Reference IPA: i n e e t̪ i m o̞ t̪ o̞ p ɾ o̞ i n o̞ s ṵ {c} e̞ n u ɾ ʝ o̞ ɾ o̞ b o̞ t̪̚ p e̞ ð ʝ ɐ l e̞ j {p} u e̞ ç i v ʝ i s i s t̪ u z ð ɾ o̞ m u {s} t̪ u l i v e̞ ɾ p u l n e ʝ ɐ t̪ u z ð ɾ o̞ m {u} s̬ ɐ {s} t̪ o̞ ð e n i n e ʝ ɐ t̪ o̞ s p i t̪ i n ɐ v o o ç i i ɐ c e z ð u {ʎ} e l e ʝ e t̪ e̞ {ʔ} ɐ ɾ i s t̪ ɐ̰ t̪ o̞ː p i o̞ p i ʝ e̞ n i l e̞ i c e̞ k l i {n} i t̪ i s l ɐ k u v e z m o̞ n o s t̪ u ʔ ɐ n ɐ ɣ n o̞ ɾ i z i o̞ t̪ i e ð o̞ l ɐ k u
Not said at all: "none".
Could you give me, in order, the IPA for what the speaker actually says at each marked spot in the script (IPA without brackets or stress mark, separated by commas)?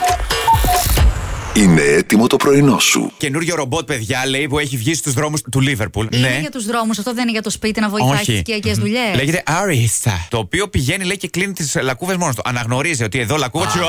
c, p, s, u, f, ʎ, ʔ, n